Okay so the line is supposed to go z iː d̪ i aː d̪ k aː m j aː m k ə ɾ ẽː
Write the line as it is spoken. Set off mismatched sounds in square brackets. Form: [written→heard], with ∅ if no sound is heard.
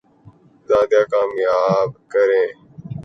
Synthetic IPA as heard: z [iː→aː] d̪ [i→j] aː [d̪→∅] k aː m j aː [m→b] k ə ɾ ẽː